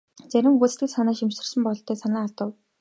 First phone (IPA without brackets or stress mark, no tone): t͡s